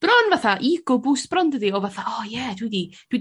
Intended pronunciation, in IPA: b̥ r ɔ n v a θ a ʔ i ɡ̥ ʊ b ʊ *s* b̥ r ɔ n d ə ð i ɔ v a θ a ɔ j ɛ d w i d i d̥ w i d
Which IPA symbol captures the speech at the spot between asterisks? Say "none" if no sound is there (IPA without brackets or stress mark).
s